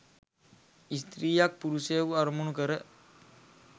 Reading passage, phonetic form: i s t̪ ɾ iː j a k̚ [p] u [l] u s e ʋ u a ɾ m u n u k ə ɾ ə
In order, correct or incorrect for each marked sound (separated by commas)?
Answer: correct, incorrect